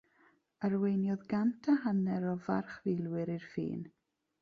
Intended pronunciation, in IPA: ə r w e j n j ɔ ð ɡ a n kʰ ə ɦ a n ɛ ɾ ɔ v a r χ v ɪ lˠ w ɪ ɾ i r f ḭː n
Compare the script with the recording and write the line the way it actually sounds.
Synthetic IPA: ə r w e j n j ɔ ð ɡ a n tʰ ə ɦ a n ɛ ɾ ɔ v a r χ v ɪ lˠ w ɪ ɾ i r f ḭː n